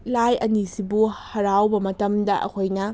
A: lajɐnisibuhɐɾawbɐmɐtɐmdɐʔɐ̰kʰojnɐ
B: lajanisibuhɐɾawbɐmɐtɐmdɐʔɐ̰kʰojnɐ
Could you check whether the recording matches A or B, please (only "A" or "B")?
A